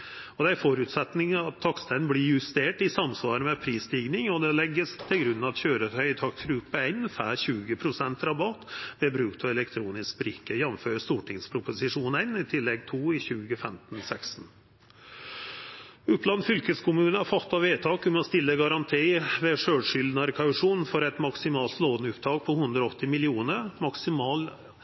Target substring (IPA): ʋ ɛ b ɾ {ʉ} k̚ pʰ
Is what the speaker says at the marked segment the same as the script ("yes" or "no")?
no